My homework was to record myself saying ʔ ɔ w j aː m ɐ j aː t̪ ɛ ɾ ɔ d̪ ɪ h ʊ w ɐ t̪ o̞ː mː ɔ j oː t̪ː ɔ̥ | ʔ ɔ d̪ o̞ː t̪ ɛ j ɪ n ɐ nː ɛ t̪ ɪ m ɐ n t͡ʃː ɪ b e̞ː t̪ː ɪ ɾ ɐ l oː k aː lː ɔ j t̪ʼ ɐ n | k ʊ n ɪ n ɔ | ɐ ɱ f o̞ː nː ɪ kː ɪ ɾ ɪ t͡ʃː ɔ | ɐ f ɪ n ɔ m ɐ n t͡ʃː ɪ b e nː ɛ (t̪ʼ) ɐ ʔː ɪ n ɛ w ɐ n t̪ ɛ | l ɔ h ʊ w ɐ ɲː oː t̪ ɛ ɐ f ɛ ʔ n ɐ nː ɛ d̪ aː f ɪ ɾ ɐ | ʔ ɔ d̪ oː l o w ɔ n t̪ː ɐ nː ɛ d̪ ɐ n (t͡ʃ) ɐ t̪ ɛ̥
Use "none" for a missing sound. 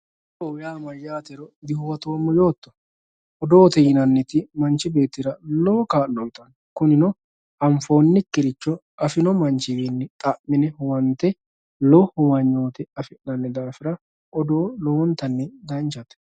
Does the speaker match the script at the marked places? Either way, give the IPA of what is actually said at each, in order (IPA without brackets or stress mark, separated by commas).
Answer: t̪ʼ, t͡ʃ